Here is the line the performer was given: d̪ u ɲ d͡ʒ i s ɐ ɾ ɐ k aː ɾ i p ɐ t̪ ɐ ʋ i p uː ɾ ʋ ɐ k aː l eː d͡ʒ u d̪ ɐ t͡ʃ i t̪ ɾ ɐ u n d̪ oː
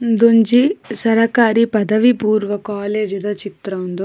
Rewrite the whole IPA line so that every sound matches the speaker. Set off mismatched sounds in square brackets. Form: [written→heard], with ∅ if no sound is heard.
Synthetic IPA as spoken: d̪ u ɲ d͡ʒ i s ɐ ɾ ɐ k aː ɾ i p ɐ [t̪→d̪] ɐ ʋ i p uː ɾ ʋ ɐ k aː l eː d͡ʒ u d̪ ɐ t͡ʃ i t̪ ɾ ɐ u n d̪ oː

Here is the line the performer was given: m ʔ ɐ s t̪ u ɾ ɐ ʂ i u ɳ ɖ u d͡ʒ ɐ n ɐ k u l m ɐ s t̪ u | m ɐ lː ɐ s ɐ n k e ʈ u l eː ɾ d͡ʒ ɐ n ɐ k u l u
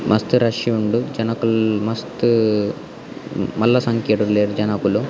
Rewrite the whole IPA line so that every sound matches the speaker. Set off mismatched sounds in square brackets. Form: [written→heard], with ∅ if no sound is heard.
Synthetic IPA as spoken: m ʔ ɐ s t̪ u ɾ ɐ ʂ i u ɳ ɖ u d͡ʒ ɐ n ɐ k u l m ɐ s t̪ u | m ɐ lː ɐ s ɐ [n→ŋ] k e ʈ u l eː ɾ d͡ʒ ɐ n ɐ k u l u

